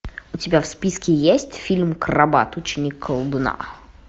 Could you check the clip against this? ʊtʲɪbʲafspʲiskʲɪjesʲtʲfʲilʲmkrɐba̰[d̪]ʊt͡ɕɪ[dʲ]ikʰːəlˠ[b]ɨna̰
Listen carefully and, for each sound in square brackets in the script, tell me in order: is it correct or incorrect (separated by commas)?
incorrect, incorrect, correct